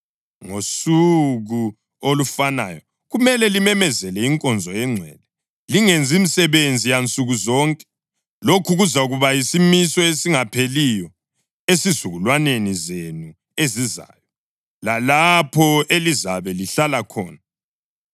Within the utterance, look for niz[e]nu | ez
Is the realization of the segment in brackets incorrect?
no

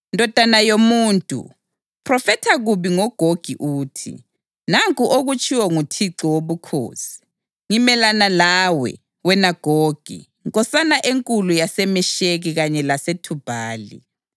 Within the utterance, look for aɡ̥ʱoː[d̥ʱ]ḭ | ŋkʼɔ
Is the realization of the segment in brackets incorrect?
yes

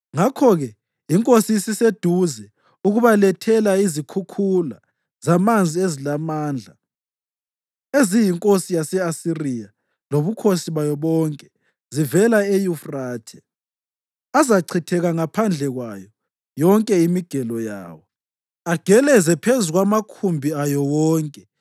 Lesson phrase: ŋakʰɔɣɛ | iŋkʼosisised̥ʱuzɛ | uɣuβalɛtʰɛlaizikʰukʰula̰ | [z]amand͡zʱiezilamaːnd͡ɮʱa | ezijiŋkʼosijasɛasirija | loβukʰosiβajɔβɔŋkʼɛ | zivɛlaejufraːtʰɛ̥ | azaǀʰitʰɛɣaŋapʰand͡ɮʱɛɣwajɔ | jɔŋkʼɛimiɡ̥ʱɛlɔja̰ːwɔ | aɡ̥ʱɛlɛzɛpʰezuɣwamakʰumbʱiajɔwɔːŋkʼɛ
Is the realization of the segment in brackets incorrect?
no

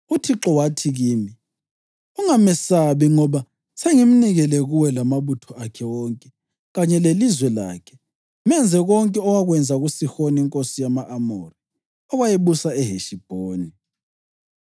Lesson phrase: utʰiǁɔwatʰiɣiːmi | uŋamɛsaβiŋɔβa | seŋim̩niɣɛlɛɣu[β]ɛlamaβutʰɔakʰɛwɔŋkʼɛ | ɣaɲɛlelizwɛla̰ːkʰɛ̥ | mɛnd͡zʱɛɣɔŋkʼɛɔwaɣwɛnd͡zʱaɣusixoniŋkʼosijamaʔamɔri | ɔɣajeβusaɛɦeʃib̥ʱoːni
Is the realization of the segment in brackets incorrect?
yes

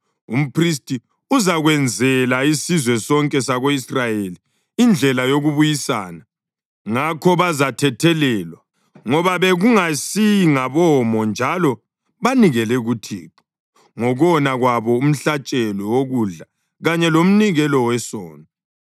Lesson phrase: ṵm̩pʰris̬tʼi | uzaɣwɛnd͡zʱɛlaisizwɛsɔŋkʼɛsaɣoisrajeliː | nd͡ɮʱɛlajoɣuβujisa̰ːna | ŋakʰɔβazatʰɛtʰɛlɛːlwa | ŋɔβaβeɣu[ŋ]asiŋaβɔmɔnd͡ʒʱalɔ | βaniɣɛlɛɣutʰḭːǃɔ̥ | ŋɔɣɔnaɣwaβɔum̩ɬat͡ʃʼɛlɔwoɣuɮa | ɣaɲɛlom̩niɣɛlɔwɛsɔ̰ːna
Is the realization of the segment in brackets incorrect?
no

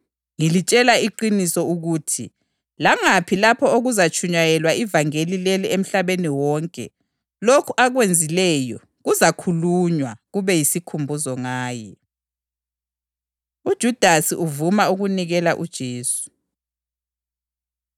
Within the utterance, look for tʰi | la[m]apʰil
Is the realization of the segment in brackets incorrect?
yes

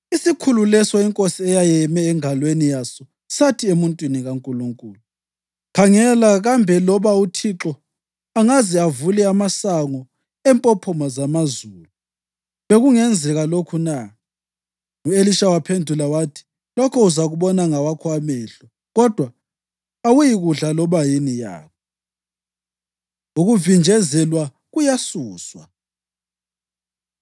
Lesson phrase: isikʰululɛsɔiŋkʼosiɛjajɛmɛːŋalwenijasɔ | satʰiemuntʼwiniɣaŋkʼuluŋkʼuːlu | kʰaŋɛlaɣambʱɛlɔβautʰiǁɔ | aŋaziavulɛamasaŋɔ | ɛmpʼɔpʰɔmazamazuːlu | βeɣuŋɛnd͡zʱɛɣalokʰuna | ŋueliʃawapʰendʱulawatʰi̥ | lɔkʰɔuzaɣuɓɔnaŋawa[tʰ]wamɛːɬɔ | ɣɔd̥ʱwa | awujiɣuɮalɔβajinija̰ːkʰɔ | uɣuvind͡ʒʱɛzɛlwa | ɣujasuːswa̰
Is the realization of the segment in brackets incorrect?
yes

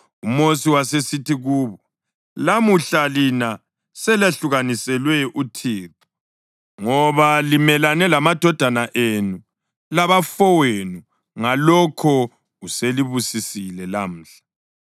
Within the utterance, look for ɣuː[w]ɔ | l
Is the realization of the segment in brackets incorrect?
yes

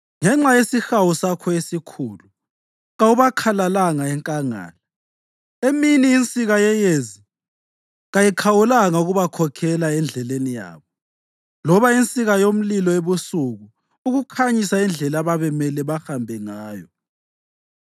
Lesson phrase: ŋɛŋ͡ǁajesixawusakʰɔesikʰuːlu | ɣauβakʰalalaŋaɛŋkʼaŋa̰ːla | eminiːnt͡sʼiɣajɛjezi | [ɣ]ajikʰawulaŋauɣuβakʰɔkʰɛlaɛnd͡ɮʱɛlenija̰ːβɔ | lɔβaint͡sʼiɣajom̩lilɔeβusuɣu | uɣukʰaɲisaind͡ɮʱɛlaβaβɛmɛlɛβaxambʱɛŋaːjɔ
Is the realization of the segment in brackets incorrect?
no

